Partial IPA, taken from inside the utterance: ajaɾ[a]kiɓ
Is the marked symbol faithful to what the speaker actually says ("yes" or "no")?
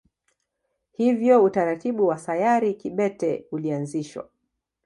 no